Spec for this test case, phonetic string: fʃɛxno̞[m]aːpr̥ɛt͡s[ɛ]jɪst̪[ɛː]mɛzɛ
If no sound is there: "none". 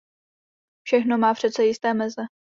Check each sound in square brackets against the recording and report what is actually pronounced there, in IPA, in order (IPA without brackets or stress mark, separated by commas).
m, ɛ, ɛː